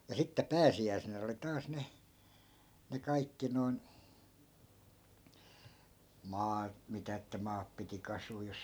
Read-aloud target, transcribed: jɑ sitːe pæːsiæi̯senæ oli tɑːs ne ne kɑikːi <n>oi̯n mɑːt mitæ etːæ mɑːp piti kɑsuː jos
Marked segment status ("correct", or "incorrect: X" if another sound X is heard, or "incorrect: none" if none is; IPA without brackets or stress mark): correct